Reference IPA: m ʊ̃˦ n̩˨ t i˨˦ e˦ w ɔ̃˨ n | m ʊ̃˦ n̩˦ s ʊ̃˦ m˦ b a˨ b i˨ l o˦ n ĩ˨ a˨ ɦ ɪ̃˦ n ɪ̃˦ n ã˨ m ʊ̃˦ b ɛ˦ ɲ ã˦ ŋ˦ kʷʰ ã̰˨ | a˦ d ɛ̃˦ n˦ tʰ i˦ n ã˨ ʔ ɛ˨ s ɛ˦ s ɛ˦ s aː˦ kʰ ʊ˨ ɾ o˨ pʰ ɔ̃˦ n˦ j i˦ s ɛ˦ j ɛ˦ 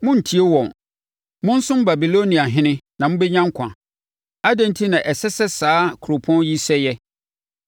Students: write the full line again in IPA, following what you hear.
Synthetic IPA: m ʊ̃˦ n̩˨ tʰ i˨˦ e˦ w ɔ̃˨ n | m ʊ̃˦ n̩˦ s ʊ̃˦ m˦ b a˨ b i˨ l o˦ n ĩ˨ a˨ ɦ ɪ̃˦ n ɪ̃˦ n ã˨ m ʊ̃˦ b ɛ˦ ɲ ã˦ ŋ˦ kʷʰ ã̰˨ | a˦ d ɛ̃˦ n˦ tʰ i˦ n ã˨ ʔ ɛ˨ s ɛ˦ s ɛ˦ s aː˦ kʰ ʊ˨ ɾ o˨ pʰ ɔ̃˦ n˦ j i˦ s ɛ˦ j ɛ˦